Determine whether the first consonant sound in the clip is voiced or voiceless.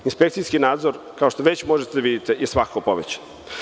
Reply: voiced